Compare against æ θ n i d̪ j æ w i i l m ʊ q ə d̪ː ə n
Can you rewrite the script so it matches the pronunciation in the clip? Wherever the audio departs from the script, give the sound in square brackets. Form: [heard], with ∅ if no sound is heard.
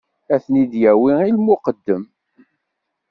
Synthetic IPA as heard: æ θ n i d̪ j æ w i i l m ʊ q ə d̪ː ə [m]